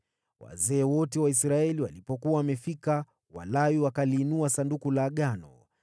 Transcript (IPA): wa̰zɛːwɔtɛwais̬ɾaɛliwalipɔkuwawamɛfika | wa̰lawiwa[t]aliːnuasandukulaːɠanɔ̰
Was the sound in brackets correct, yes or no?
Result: no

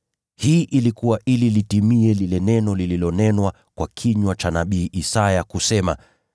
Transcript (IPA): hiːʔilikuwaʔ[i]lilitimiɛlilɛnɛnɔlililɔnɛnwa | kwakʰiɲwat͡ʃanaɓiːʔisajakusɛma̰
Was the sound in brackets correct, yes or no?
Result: yes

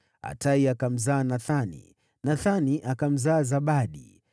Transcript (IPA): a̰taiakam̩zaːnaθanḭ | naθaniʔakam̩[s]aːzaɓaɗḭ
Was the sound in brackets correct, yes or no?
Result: no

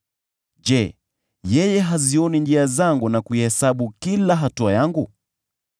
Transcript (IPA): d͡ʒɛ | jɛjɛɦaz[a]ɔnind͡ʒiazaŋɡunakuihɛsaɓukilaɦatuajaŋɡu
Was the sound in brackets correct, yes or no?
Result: no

